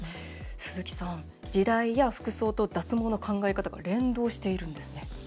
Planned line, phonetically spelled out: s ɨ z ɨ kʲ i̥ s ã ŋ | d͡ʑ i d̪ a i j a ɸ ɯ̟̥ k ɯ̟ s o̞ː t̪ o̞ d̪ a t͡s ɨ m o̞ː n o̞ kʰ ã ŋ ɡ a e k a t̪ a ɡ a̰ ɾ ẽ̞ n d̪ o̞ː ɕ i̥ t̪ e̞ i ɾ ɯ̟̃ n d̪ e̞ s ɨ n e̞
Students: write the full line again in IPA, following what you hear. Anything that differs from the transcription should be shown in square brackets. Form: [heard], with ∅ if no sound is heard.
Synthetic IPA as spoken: s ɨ z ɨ kʲ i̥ s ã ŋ | d͡ʑ i d̪ a i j a ɸ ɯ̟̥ k ɯ̟ s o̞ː t̪ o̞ d̪ a t͡s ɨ m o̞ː n o̞ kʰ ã ŋ ɡ a e k a t̪ a ɡ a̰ ɾ ẽ̞ n d̪ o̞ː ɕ i̥ t̪ e̞ i ɾ ɯ̟̃ n d̪ e̞ s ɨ n e̞